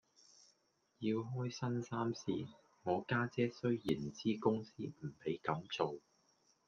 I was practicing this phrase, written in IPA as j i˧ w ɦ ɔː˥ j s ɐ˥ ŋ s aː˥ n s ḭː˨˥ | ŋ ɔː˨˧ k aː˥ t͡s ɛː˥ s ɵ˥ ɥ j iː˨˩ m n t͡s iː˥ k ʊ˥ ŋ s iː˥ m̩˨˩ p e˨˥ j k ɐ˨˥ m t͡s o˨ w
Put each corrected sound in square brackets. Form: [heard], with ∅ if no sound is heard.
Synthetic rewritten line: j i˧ w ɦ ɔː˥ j s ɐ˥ [n] s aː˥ [m] s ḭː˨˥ | ŋ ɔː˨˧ k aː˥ t͡s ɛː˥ s ɵ˥ ɥ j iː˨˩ [∅] n t͡s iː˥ k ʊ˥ ŋ s iː˥ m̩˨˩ p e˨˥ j k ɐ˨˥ m t͡s o˨ w

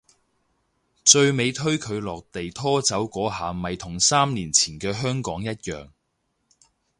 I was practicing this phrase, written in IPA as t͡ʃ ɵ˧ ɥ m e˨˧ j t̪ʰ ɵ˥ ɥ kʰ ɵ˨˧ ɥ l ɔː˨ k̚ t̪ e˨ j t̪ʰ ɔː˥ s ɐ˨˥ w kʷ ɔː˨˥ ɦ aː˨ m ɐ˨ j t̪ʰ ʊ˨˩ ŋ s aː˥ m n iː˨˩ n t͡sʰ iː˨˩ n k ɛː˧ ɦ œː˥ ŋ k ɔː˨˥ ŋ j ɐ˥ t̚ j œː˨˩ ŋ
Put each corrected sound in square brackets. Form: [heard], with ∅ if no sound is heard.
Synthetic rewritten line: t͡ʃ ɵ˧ ɥ m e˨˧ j t̪ʰ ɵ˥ ɥ kʰ ɵ˨˧ ɥ l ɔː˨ k̚ t̪ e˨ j t̪ʰ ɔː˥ [t͡s] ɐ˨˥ w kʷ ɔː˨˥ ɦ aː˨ m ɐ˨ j t̪ʰ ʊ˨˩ ŋ s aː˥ m n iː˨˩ n t͡sʰ iː˨˩ n k ɛː˧ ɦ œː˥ ŋ k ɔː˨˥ ŋ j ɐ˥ t̚ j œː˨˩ ŋ

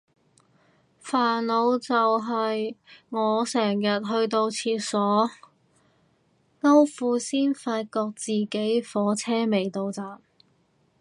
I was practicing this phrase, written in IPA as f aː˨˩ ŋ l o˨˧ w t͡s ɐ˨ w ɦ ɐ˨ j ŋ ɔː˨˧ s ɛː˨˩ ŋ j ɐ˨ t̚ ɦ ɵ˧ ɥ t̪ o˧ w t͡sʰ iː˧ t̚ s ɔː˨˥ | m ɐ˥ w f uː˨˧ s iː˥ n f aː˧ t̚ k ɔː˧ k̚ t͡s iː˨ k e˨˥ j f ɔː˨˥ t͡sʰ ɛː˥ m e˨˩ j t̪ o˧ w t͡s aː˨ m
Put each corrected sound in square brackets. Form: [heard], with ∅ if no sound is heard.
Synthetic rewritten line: f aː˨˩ [n] l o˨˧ w t͡s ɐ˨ w ɦ ɐ˨ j ŋ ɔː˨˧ s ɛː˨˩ ŋ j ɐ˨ t̚ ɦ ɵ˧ ɥ t̪ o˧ w t͡sʰ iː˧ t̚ s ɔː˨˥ | [ŋ] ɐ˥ w f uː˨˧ s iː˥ n f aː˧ t̚ k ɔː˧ k̚ t͡s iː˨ k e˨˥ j f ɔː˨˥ t͡sʰ ɛː˥ m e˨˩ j t̪ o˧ w t͡s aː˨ m

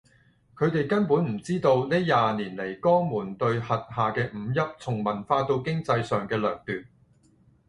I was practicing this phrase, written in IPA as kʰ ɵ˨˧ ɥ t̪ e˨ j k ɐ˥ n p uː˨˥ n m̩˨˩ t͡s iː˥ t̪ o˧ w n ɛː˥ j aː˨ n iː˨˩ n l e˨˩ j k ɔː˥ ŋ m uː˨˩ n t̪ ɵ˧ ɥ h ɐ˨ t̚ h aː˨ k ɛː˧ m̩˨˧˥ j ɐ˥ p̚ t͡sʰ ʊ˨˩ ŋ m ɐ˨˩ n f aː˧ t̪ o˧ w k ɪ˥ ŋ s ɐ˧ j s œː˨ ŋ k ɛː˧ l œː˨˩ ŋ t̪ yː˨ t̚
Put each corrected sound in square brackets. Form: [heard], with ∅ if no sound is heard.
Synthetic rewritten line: kʰ ɵ˨˧ ɥ t̪ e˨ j k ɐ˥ n p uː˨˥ n m̩˨˩ t͡s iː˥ t̪ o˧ w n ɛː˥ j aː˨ n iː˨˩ n l e˨˩ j k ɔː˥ ŋ m uː˨˩ n t̪ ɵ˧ ɥ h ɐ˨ t̚ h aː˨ k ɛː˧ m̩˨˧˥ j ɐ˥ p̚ t͡sʰ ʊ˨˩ ŋ m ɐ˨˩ n f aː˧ t̪ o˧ w k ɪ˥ ŋ [t͡s] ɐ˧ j s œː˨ ŋ k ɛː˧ l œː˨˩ ŋ t̪ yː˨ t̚

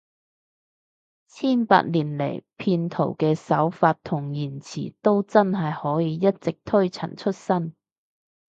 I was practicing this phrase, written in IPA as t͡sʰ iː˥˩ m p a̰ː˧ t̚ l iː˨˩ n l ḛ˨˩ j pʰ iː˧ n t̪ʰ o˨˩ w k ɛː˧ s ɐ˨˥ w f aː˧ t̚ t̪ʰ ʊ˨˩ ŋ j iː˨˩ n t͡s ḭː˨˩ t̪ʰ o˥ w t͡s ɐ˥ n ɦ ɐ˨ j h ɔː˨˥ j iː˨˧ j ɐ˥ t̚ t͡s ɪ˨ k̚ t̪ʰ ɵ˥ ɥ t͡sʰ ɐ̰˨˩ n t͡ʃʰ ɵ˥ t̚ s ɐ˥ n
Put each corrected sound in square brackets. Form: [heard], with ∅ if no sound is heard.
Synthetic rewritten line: t͡sʰ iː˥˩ [n] p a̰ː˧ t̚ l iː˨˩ n l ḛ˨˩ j pʰ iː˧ n t̪ʰ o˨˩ w k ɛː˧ s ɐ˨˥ w f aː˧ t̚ t̪ʰ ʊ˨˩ ŋ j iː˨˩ n [t͡sʰ] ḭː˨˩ [t̪] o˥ w t͡s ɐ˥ n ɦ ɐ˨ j h ɔː˨˥ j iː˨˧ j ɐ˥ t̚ t͡s ɪ˨ k̚ t̪ʰ ɵ˥ ɥ t͡sʰ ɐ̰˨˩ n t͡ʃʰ ɵ˥ t̚ s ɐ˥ n

